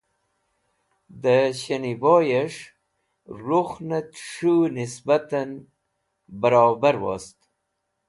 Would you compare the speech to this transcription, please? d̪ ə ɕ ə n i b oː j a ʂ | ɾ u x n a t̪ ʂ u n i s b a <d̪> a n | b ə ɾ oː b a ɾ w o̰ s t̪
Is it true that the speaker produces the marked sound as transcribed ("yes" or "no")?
no